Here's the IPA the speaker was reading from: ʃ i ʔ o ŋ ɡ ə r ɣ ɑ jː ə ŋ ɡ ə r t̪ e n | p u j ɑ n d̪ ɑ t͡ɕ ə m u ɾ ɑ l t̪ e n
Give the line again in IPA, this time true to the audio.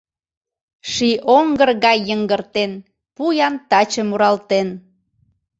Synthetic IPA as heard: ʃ i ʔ o ŋ ɡ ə r ɣ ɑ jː ə ŋ ɡ ə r t̪ e n | p u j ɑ n t̪ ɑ t͡ɕ ə m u ɾ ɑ l t̪ e n

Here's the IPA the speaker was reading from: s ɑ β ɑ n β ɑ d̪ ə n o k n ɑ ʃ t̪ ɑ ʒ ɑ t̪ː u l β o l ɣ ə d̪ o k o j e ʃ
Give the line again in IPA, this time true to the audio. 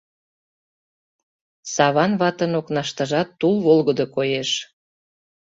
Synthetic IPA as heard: s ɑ β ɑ n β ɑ t̪ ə n o k n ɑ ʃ t̪ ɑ ʒ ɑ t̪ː u l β o l ɣ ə d̪ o k o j e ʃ

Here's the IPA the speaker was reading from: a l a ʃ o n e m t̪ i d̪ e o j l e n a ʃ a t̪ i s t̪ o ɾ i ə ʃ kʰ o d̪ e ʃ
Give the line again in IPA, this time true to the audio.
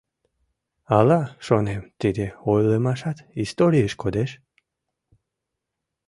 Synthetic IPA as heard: a l a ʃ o n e m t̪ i d̪ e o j l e m a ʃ a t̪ i s t̪ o ɾ i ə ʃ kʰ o d̪ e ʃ

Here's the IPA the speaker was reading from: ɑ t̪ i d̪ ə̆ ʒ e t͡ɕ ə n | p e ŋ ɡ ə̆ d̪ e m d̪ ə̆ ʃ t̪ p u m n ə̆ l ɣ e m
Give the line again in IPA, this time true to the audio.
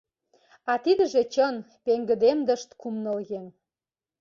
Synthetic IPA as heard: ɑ t̪ i d̪ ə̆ ʒ e t͡ɕ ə n | p e ŋ ɡ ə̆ d̪ e m d̪ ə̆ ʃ t̪ k u m n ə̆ l ɣ e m

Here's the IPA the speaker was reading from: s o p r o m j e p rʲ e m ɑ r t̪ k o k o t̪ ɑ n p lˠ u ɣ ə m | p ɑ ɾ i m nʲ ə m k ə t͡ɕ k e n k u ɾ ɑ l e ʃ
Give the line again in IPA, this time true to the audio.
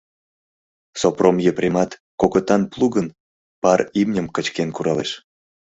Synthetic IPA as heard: s o p r o m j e p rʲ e m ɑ t̪ k o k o t̪ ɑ n p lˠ u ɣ ə n | p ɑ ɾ i m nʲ ə m k ə t͡ɕ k e n k u ɾ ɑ l e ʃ

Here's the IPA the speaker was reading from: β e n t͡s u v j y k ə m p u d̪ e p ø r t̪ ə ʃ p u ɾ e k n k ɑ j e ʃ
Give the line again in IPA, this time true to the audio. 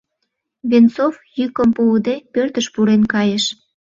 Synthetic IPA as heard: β e n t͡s o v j y k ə m p u d̪ e p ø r t̪ ə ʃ p u ɾ e n k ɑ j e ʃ

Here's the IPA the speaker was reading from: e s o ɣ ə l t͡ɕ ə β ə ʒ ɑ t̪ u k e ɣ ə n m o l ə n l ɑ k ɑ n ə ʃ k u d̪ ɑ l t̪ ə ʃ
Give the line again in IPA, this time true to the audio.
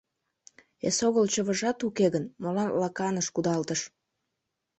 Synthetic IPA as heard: e s o ɣ ə l t͡ɕ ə β ə ʒ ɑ t̪ u k e ɣ ə n m o l ɑ n l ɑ k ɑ n ə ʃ k u d̪ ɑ l t̪ ə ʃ

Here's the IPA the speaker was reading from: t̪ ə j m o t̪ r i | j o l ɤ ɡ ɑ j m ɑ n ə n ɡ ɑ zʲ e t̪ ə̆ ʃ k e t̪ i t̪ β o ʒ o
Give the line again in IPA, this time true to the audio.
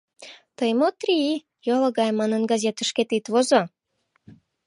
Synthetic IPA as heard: t̪ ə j m o t̪ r i | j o l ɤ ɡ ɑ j m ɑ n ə n ɡ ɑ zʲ e t̪ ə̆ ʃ k e t̪ i t̪ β o z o

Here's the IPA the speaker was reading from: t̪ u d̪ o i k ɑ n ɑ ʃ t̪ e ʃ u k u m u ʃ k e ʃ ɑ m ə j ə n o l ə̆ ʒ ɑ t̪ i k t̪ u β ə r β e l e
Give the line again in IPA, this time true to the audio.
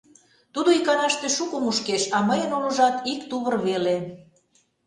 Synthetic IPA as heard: t̪ u d̪ o i k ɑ n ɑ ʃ t̪ e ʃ u k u m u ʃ k e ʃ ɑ m ə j ə n o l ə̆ ʒ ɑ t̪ i k t̪ u β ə r β e l e

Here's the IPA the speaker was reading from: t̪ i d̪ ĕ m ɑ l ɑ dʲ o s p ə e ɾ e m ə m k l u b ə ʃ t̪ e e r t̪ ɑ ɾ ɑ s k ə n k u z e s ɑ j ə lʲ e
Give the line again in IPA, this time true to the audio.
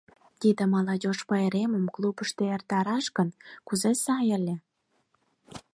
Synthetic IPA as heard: t̪ i d̪ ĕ m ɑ l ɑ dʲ o ʃ p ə e ɾ e m ə m k l u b ə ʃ t̪ e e r t̪ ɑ ɾ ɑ ʃ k ə n k u z e s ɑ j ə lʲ e

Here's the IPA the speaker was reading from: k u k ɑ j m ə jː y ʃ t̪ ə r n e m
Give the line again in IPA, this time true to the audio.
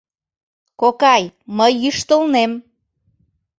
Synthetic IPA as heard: k o k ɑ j m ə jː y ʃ t̪ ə l n e m

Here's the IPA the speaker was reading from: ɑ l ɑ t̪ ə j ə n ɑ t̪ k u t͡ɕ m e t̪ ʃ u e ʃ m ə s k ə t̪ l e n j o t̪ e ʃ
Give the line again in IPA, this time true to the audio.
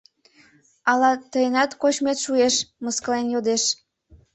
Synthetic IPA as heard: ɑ l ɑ t̪ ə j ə n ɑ t̪ k o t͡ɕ m e t̪ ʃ u e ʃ m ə s k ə l e n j o d̪ e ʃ

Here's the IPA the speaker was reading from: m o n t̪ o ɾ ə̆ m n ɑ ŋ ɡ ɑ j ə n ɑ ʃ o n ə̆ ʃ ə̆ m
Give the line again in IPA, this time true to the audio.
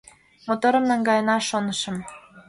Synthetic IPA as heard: m o t̪ o ɾ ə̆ m n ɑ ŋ ɡ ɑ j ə n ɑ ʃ o n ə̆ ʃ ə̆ m

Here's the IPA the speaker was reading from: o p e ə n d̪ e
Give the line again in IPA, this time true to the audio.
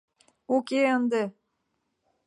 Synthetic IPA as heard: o k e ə n d̪ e

